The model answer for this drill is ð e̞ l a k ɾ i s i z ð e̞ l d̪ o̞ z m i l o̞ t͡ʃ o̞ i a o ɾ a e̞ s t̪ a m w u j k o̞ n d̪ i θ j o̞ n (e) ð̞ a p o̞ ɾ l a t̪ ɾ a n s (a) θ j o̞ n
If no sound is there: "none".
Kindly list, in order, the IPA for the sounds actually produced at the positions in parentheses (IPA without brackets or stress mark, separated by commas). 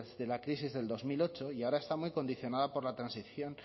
a, i